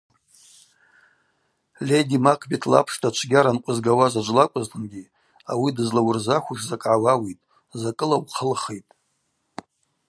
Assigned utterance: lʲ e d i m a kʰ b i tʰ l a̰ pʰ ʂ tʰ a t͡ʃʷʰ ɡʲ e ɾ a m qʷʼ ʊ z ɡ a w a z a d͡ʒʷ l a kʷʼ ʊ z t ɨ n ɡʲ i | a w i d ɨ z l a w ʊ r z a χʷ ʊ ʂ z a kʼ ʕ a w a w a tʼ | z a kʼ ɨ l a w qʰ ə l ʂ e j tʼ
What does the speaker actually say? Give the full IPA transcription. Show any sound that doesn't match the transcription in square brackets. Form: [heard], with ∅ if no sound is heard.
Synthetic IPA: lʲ e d i m a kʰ b i tʰ l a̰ pʰ ʂ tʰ a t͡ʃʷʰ ɡʲ [a] ɾ a [n] qʷʼ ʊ z ɡ a w a z a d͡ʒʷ l a kʷʼ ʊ z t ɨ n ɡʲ i | a w i d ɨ z l a w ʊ r z a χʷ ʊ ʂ z a kʼ ʕ a w a w [i] tʼ | z a kʼ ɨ l a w qʰ ə l [χ] e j tʼ